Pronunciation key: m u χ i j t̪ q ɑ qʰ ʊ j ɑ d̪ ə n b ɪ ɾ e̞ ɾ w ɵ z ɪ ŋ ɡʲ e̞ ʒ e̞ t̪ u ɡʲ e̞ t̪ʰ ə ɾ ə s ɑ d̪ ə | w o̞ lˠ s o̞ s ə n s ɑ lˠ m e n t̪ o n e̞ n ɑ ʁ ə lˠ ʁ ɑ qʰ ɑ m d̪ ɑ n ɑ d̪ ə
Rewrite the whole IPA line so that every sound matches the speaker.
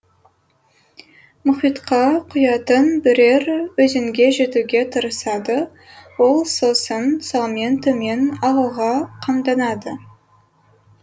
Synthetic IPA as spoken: m ʊ χ i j t̪ q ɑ qʰ ʊ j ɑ t̪ ə n b ɪ ɾ e̞ ɾ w ɵ z ɪ ŋ ɡʲ e̞ ʒ e̞ t̪ u ɡʲ e̞ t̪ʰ ə ɾ ə s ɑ d̪ ə | w o̞ lˠ s o̞ s ə n s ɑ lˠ m e n t̪ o m e̞ n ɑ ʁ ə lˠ ʁ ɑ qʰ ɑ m d̪ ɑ n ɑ d̪ ə